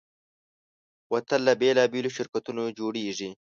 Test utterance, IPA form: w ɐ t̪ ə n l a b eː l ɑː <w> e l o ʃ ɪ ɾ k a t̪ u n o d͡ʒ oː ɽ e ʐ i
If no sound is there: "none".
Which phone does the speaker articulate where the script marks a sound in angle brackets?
b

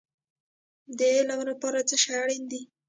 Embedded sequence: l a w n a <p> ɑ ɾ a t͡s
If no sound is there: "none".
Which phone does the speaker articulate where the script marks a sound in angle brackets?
p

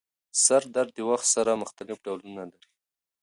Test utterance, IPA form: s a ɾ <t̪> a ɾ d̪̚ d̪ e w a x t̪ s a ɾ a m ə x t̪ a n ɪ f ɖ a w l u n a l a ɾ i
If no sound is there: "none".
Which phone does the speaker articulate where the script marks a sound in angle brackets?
d̪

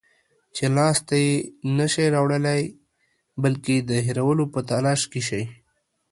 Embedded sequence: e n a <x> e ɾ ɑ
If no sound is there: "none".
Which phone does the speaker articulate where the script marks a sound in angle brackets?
ʃ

